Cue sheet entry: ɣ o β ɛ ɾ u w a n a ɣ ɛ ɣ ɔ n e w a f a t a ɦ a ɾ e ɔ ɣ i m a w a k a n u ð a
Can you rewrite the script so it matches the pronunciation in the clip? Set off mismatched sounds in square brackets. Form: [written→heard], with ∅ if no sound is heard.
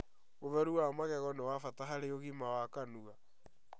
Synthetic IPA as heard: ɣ o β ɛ ɾ u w a [n→m] a ɣ ɛ ɣ ɔ n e w a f a t a ɦ a ɾ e [ɔ→o] ɣ i m a w a k a n u [ð→ɣ] a